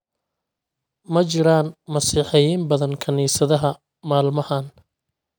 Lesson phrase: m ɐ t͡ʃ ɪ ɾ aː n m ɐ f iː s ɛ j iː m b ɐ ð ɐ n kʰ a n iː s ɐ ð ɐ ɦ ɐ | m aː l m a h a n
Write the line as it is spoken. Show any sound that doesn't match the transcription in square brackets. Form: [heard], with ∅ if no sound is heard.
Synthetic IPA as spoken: m ɐ t͡ʃ ɪ ɾ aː n m ɐ [s] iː [ħ] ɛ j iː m b ɐ ð ɐ n kʰ [ɐ] n iː s ɐ ð ɐ ɦ ɐ | m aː l m [ɐ] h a n

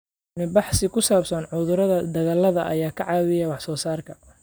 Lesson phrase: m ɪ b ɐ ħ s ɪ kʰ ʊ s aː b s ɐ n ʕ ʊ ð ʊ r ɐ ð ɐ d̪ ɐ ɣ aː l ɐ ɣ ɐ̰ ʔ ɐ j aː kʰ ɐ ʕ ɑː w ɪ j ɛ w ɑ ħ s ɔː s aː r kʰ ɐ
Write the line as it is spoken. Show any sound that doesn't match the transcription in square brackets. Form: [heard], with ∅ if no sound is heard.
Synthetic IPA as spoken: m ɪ b [ɑ] ħ s ɪ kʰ ʊ s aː b s ɐ n ʕ ʊ ð ʊ [ɾ] ɐ ð ɐ d̪ ɐ ɣ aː l ɐ [ð] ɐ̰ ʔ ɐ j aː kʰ ɐ ʕ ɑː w ɪ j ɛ w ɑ ħ s ɔː s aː r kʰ ɐ

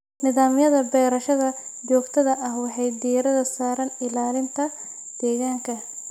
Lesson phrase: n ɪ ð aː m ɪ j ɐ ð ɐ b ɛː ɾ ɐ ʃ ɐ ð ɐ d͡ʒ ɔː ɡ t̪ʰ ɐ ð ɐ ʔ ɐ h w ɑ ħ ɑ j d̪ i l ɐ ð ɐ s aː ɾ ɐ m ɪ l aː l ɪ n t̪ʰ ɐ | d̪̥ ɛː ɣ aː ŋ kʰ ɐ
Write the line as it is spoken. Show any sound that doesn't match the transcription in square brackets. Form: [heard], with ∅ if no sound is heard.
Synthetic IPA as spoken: n ɪ ð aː m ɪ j ɐ ð ɐ b ɛː ɾ ɐ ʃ ɐ ð ɐ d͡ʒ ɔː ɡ t̪ʰ ɐ ð ɐ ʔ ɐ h w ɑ ħ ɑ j d̪ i [ɾ] ɐ ð ɐ s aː ɾ ɐ [n] ɪ l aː l ɪ n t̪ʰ ɐ | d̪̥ ɛː ɣ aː ŋ kʰ ɐ

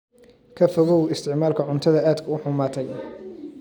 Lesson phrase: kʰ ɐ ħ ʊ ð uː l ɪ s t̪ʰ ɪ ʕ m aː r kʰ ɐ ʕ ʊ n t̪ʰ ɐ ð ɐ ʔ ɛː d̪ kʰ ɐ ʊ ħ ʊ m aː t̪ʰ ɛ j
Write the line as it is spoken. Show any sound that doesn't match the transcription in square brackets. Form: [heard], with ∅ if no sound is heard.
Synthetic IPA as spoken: kʰ ɐ [f] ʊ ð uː l ɪ s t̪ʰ ɪ ʕ m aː [l] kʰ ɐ ʕ ʊ n t̪ʰ ɐ ð ɐ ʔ [aː] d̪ kʰ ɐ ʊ ħ ʊ m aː t̪ʰ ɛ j

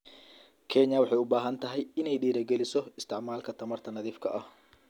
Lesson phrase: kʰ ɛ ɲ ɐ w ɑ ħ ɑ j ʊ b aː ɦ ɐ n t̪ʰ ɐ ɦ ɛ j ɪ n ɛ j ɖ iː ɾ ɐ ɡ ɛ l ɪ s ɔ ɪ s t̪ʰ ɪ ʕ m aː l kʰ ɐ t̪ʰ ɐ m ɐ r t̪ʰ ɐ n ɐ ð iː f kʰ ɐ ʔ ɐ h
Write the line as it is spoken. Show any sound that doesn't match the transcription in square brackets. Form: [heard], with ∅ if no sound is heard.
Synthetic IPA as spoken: kʰ ɛ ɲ ɐ w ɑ ħ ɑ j ʊ b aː ɦ ɐ n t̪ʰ ɐ ɦ ɛ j ɪ n ɛ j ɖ iː ɾ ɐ ɡ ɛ l ɪ s ɔ ɪ s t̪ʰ ɪ ʕ m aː l kʰ ɐ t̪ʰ ɐ m ɐ r t̪ʰ ɐ n ɐ ð iː f kʰ ɐ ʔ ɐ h

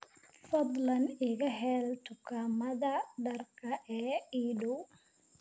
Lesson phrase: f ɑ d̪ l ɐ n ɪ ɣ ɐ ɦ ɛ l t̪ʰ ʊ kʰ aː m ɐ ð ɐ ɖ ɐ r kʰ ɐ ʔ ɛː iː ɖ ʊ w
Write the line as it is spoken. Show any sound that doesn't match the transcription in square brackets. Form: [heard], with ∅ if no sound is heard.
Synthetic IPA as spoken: f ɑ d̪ l ɐ n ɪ ɣ ɐ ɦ ɛ l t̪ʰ ʊ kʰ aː m ɐ ð ɐ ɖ ɐ r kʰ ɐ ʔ ɛː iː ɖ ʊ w

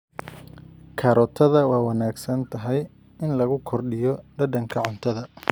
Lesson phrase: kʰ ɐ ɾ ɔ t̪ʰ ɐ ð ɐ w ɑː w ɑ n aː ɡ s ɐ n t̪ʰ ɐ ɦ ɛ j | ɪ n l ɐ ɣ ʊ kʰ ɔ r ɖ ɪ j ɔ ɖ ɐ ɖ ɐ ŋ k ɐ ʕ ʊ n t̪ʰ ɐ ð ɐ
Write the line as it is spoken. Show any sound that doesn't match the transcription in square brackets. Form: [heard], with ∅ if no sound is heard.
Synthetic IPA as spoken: kʰ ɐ ɾ ɔ t̪ʰ ɐ ð ɐ w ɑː w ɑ n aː ɡ s ɐ n t̪ʰ ɐ ɦ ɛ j | ɪ n l ɐ ɣ ʊ kʰ ɔ r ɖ ɪ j ɔ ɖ ɐ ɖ ɐ ŋ [kʰ] ɐ ʕ ʊ n t̪ʰ ɐ ð ɐ

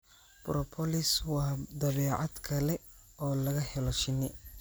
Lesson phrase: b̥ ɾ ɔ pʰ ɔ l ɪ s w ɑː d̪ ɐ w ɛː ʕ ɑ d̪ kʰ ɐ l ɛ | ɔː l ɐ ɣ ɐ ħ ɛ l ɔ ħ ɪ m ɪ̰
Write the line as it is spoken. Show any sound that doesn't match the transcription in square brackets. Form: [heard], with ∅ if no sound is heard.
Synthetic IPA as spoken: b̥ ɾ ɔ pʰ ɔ l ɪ s w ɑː d̪ ɐ [β] ɛː ʕ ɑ d̪ kʰ ɐ l ɛ | ɔː l ɐ ɣ ɐ [h] ɛ l ɔ [ʃ] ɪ [n] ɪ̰

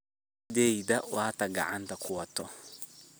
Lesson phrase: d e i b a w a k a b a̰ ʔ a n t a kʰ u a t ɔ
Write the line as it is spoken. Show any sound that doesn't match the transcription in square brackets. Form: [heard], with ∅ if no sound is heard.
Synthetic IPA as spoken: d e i [d] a w a [t] a [ɡ] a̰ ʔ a n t a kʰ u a t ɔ

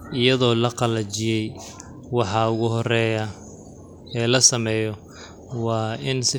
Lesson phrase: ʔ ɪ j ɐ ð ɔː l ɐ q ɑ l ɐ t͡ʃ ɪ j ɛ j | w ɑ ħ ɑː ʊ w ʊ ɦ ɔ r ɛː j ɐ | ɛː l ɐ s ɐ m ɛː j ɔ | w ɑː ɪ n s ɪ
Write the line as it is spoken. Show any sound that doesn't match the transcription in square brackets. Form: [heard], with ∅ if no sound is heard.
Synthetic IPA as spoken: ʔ ɪ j ɐ ð ɔː l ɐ q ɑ l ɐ t͡ʃ ɪ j ɛ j | w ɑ ħ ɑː ʊ [ɣ] ʊ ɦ ɔ r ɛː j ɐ | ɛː l ɐ s ɐ m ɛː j ɔ | w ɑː ɪ n s ɪ

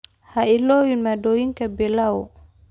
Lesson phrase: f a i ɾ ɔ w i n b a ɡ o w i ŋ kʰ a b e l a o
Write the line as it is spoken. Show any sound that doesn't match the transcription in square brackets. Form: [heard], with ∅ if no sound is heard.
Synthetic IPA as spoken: [h] a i [l] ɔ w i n [m] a [d] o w i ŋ [k] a b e l a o

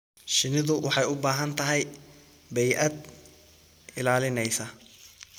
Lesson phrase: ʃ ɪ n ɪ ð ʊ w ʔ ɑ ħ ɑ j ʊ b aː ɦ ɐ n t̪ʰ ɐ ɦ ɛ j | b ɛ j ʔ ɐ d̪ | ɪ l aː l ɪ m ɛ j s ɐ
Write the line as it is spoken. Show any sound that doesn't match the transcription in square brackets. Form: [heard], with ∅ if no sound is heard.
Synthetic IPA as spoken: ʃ ɪ n ɪ ð ʊ w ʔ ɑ ħ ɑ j ʊ b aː ɦ ɐ n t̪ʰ ɐ ɦ ɛ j | b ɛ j ʔ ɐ d̪ | ɪ l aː l ɪ [n] ɛ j s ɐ

